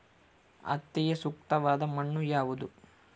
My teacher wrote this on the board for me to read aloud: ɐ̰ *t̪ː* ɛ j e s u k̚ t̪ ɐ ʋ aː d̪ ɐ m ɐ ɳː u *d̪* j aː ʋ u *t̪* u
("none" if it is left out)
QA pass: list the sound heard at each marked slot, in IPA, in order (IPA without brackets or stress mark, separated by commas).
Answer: t̪ː, none, d̪